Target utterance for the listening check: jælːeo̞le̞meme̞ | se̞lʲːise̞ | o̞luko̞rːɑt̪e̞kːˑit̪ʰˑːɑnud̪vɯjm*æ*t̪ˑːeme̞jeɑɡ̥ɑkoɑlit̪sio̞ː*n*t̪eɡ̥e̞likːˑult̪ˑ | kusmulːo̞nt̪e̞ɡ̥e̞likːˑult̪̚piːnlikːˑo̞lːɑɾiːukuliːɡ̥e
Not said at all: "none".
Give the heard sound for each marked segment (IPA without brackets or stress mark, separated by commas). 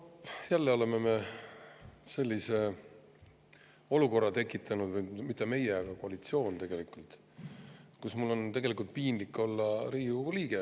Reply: i, n